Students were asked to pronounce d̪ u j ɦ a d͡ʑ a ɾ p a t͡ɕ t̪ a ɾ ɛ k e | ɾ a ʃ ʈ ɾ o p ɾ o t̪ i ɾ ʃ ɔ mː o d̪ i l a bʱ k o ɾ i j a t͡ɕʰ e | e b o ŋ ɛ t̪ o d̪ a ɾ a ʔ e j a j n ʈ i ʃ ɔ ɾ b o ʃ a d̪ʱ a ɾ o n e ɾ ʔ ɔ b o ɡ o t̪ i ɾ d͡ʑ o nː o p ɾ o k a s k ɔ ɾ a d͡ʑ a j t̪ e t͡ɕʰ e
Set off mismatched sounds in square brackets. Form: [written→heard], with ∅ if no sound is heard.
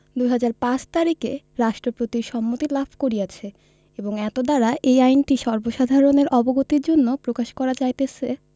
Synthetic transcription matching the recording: d̪ u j ɦ a d͡ʑ a ɾ p a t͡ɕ t̪ a ɾ [ɛ→i] k e | ɾ a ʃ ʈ ɾ o p ɾ o t̪ i ɾ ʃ ɔ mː o [d̪→t̪] i l a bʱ k o ɾ i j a t͡ɕʰ e | e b o ŋ ɛ t̪ o d̪ a ɾ a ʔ e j a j n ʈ i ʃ ɔ ɾ b o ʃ a d̪ʱ a ɾ o n e ɾ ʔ ɔ b o ɡ o t̪ i ɾ d͡ʑ o nː o p ɾ o k a [s→ʃ] k ɔ ɾ a d͡ʑ a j t̪ e t͡ɕʰ e